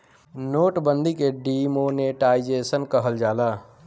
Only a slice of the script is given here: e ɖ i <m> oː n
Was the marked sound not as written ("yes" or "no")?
no